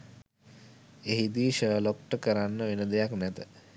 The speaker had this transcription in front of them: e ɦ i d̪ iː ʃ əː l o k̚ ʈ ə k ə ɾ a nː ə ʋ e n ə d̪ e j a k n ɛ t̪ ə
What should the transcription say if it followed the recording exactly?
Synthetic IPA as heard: e ɦ i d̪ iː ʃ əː l o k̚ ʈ ə k ə ɾ a nː ə ʋ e n ə d̪ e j a k n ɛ t̪ ə

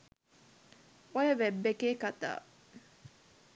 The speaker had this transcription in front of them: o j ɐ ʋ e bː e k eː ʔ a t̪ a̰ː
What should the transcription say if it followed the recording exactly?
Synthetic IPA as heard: o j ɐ ʋ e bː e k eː k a t̪ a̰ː

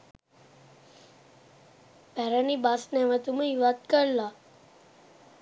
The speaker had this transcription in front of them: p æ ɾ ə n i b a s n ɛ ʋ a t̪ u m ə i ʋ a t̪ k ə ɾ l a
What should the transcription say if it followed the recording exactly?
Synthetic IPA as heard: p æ ɾ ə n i b a s n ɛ ʋ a t̪ u m ə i ʋ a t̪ k ə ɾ l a

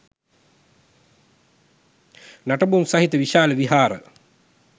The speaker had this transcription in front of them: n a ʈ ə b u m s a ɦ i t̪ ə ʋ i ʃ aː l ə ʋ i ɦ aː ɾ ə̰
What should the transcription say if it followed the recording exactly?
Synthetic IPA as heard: n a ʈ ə b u m s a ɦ i t̪ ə ʋ i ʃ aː l ə ʋ i ɦ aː ɾ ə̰

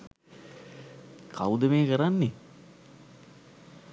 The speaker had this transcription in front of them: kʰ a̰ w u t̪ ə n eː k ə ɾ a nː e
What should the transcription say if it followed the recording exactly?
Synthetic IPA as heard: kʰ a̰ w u d̪ ə m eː k ə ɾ a nː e

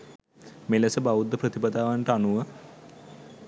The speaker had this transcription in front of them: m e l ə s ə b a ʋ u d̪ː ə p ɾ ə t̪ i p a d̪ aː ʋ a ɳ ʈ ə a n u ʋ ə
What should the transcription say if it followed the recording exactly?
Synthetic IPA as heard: m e l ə s ə b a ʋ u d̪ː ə p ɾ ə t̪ i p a d̪ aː ʋ a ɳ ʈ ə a n u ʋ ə

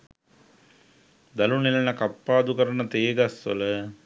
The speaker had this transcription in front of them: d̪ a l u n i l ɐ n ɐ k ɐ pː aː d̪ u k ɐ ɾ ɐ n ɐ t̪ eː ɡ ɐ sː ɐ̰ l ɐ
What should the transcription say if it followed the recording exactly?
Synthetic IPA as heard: d̪ ɐ l u n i l ɐ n ɐ k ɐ pː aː d̪ u k ɐ ɾ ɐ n ɐ t̪ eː ɡ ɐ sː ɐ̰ l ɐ

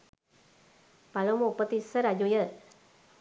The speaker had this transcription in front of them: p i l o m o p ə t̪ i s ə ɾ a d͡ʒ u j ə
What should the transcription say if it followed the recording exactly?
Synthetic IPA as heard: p a l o m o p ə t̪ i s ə ɾ a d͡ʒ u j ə

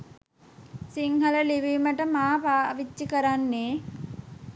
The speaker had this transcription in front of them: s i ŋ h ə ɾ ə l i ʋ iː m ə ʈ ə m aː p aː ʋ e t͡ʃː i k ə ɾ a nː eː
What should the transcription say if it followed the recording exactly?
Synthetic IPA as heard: s i ŋ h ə l ə l i ʋ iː m ə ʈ ə m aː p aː ʋ i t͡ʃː i k ə ɾ a nː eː

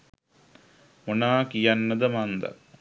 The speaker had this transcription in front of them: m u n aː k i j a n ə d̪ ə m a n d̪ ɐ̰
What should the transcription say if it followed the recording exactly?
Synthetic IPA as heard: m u n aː k i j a nː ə d̪ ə m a n d̪ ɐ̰

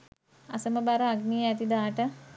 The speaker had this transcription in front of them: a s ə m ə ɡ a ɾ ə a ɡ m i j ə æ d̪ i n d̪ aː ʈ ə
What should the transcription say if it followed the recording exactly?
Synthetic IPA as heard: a s ə m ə b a ɾ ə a ɡ n i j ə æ t̪ i d̪ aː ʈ ə

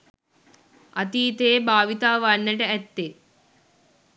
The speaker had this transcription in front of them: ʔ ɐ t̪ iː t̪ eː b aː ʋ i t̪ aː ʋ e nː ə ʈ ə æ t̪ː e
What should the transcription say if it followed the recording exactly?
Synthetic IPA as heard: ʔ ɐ t̪ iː t̪ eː b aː ʋ i t̪ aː ʋ a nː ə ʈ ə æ t̪ː e

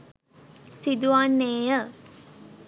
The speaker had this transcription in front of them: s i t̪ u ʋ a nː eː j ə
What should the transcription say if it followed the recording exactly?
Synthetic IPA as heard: s i d̪ u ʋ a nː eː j ə

